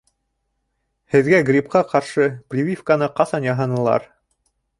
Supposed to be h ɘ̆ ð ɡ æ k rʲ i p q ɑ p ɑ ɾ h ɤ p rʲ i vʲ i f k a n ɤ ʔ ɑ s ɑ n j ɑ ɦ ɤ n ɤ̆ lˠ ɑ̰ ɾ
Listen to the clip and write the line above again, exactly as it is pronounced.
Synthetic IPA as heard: h ɘ̆ ð ɡ æ ɡ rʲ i p q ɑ q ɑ ɾ ʃ ɤ p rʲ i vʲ i f k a n ɤ q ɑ s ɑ n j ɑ ɦ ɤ n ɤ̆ lˠ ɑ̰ ɾ